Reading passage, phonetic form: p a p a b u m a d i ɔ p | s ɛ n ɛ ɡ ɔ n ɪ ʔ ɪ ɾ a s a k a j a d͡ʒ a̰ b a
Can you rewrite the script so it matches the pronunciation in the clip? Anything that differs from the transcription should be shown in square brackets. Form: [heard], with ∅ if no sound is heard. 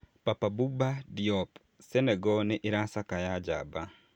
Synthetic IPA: p a p a b u [b] a d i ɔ p | s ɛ n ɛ ɡ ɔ n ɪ ʔ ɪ ɾ a s a k a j a d͡ʒ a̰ b a